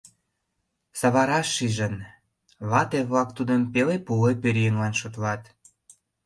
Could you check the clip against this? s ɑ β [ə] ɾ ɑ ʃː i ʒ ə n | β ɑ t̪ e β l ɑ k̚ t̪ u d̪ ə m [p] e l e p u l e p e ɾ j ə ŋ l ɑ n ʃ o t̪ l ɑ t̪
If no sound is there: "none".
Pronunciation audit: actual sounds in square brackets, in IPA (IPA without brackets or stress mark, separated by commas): ɑ, p